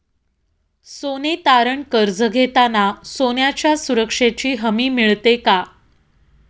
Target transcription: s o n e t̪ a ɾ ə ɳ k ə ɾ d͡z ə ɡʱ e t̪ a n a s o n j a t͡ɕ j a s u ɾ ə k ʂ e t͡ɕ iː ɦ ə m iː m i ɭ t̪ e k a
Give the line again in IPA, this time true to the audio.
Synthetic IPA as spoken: s o n e t̪ a ɾ ə ɳ k ə ɾ d͡z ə ɡʱ e t̪ a n a s o n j a t͡ɕ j a s u ɾ ə k ʂ e t͡ɕ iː ɦ ə m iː m i ɭ t̪ e k a